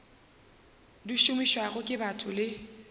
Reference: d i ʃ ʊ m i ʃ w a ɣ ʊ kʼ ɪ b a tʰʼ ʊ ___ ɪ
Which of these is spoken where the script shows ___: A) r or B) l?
B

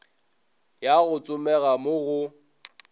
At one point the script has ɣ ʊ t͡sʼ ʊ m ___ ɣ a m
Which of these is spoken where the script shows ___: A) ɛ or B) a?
A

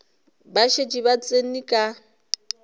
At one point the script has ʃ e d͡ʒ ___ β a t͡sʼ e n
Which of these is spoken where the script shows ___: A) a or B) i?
B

